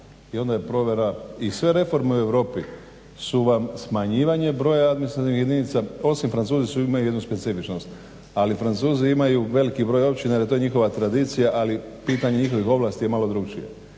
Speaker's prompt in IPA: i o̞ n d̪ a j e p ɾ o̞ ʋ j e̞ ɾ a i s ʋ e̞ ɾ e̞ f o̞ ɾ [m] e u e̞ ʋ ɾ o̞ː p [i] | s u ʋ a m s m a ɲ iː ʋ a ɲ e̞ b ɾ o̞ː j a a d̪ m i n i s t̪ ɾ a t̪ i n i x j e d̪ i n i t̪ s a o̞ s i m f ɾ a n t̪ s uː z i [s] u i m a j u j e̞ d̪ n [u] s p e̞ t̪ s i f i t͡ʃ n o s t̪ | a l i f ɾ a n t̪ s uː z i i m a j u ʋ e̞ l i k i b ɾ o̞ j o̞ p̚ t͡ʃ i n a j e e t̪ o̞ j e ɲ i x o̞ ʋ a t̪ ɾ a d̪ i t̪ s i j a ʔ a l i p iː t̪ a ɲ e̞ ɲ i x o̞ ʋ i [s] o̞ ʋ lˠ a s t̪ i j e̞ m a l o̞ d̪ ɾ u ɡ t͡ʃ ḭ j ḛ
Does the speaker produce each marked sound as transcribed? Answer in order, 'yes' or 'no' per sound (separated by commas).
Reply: yes, yes, yes, yes, no